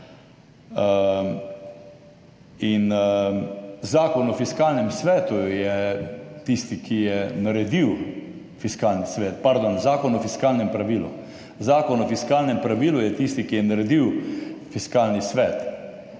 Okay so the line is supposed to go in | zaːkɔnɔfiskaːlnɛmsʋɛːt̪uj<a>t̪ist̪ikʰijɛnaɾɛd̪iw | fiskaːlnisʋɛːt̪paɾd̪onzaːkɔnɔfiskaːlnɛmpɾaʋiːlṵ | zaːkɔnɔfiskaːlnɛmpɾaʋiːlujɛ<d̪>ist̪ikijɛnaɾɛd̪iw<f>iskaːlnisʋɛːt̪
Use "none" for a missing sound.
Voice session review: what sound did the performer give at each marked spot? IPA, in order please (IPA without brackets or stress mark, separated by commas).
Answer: ɛ, t̪, f